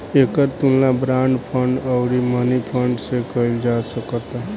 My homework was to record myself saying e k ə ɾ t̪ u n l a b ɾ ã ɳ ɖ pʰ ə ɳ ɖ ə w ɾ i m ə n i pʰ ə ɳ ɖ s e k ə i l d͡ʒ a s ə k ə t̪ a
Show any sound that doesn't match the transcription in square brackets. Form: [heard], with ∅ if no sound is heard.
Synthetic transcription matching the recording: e k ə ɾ t̪ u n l a b ɾ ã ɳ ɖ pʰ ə ɳ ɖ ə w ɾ i m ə n i pʰ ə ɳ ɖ s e k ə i l d͡ʒ a s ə k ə t̪ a